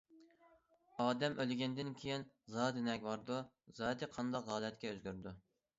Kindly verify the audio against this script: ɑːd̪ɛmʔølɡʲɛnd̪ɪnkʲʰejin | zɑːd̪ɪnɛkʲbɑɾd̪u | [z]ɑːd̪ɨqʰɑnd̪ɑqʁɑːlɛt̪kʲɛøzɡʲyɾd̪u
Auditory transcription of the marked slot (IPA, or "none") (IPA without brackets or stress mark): z